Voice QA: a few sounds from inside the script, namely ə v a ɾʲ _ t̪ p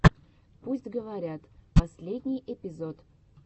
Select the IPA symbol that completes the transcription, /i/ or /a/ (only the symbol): a